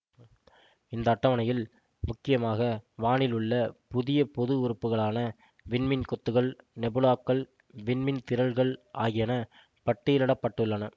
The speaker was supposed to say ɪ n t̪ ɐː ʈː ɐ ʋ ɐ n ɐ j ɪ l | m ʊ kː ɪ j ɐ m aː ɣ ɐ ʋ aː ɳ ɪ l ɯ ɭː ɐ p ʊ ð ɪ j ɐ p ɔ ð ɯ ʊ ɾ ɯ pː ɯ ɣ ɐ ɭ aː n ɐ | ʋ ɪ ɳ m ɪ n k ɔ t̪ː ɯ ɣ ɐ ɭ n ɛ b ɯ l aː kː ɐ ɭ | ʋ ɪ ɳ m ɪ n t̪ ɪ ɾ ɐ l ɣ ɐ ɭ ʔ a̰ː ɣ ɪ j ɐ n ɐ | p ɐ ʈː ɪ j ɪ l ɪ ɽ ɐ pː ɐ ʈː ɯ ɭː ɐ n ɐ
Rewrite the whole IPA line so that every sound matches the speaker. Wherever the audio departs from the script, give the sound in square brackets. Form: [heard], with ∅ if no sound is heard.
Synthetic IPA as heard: ɪ n [d̪] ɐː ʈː ɐ ʋ ɐ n ɐ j ɪ l | m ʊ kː ɪ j ɐ m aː ɣ ɐ ʋ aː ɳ ɪ l ɯ ɭː ɐ p ʊ ð ɪ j ɐ p ɔ ð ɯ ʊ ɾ ɯ pː ɯ ɣ ɐ ɭ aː n ɐ | ʋ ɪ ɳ m ɪ n k ɔ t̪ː ɯ ɣ ɐ ɭ n ɛ b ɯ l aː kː ɐ ɭ | ʋ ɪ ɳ m ɪ n t̪ ɪ ɾ ɐ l ɣ ɐ ɭ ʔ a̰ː ɣ ɪ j ɐ n ɐ | p ɐ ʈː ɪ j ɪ l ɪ ɽ ɐ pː ɐ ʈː ɯ ɭː ɐ n ɐ